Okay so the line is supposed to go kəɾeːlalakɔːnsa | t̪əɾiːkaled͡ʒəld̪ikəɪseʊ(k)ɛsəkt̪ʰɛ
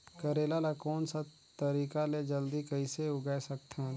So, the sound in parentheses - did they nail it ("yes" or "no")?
no